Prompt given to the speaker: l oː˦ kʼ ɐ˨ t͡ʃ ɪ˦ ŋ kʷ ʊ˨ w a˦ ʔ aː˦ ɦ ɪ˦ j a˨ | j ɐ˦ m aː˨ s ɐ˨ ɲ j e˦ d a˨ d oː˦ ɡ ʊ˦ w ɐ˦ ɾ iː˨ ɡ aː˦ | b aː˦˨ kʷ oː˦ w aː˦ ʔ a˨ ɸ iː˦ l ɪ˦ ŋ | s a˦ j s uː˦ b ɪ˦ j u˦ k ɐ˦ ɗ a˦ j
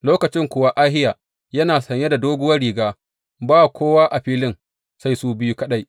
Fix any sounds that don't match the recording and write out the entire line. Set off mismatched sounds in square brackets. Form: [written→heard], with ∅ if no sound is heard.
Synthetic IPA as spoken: l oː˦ [kʼ→k] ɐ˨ t͡ʃ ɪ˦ ŋ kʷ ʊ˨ w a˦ ʔ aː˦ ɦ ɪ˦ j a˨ | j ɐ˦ [m→n] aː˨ s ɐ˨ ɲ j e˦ d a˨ d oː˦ ɡ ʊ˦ w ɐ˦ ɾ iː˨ ɡ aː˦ | b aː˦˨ kʷ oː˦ w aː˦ ʔ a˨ ɸ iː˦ l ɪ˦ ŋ | s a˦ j s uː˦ b ɪ˦ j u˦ k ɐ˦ ɗ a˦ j

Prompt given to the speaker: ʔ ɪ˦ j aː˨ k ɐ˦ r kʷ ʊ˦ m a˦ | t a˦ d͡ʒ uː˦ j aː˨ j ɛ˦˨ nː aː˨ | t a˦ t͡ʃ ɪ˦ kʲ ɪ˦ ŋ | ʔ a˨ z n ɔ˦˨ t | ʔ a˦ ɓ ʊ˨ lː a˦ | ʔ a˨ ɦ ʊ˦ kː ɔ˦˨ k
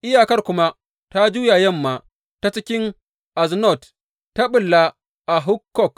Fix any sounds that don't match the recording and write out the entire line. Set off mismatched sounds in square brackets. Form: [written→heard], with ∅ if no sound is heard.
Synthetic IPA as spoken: ʔ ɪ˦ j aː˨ k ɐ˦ r kʷ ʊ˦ m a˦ | t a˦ d͡ʒ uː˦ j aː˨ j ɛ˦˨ [nː→mː] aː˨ | t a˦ t͡ʃ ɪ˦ kʲ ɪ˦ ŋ | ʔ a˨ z n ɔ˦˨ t | [ʔ→t] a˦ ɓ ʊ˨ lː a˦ | ʔ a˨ ɦ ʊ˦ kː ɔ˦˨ k

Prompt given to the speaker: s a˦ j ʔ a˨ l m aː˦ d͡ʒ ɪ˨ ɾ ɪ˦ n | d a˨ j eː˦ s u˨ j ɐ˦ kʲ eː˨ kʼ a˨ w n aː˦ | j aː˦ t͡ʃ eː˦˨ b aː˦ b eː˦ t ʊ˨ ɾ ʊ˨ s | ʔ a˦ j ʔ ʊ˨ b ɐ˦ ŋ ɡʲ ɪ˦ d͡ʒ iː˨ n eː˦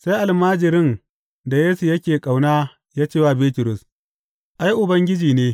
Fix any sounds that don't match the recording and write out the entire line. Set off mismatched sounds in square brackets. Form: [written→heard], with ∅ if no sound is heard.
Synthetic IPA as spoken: s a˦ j ʔ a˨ l m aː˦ d͡ʒ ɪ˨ ɾ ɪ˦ n | d a˨ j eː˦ s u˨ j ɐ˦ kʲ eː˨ kʼ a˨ w n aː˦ | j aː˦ t͡ʃ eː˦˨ [b→w] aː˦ b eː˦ t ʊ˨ ɾ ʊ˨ s | ʔ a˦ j ʔ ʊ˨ b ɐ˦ ŋ ɡʲ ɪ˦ d͡ʒ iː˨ n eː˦

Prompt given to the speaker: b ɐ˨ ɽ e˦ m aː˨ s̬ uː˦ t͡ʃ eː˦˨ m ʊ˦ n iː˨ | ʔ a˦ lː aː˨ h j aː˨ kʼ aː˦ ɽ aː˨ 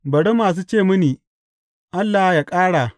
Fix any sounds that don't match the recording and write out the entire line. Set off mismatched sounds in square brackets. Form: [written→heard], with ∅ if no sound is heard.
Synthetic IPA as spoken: b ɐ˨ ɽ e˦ m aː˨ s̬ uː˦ t͡ʃ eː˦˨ m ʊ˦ n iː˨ | ʔ a˦ lː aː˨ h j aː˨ kʼ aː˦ ɽ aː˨

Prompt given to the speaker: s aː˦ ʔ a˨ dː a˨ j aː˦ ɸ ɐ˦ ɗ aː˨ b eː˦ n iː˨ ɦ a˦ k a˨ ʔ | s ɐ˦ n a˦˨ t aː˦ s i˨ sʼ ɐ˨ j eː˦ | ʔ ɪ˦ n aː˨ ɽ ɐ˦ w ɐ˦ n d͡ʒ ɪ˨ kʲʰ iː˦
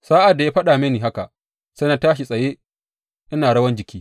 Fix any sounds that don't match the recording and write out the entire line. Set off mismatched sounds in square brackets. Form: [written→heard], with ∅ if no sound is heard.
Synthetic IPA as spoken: s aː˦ ʔ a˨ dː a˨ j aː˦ ɸ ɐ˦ ɗ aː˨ [b→m] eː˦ n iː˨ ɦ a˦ k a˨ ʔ | s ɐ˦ n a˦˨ t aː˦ [s→ʃ] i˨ sʼ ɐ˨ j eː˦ | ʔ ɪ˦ n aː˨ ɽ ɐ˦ w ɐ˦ n d͡ʒ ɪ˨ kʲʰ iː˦

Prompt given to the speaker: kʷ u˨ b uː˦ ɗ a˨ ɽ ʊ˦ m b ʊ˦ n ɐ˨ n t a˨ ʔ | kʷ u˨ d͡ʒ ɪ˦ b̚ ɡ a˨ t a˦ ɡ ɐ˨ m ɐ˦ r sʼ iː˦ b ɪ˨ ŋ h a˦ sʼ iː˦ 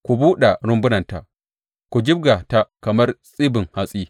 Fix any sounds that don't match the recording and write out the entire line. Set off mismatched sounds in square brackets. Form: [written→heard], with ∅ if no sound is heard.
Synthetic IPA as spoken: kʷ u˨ b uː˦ ɗ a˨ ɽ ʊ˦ m b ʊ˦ n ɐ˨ n t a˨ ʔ | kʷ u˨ d͡ʒ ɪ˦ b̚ ɡ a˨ t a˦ [ɡ→k] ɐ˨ m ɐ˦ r sʼ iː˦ b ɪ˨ ŋ h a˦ sʼ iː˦

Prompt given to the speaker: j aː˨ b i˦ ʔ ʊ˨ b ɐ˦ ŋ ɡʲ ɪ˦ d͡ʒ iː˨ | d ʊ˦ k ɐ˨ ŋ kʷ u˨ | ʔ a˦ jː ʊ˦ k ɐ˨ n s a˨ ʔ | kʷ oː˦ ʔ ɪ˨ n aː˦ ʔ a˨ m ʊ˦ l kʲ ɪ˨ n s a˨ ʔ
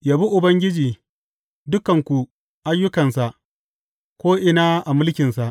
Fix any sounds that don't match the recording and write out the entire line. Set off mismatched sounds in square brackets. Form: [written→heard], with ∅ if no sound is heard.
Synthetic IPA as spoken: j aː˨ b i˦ ʔ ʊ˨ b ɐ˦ ŋ ɡʲ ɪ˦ d͡ʒ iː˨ | d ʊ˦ k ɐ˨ ŋ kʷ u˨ | ʔ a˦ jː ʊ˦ k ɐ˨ n s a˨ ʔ | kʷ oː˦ ʔ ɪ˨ n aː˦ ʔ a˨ m ʊ˦ l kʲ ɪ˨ n s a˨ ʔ

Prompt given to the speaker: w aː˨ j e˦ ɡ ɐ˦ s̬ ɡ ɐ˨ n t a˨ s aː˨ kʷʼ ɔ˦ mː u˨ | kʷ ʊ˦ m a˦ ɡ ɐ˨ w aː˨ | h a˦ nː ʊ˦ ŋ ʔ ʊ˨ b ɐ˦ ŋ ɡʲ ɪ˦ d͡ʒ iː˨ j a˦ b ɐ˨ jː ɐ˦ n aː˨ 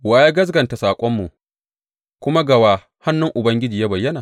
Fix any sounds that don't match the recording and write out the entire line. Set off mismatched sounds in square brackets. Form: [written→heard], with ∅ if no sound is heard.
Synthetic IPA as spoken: w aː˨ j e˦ ɡ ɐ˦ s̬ ɡ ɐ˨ n t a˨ s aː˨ kʷʼ ɔ˦ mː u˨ | kʷ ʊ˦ m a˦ ɡ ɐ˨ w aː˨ | h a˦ nː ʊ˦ ŋ ʔ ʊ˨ b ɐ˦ ŋ ɡʲ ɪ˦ d͡ʒ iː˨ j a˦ b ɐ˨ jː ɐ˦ n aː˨

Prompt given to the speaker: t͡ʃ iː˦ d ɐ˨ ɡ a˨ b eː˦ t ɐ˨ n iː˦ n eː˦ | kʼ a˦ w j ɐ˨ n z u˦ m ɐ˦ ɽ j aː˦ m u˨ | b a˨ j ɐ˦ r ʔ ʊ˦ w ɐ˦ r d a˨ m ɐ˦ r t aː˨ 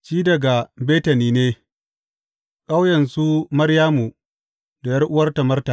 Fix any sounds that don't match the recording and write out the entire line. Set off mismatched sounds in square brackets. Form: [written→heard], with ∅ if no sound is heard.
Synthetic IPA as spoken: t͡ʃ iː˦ d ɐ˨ ɡ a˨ b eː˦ t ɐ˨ n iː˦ n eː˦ | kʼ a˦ w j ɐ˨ n [z→s] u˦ m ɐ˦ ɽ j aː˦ m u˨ | [b→d] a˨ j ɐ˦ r ʔ ʊ˦ w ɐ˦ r [d→t] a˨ m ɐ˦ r t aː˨

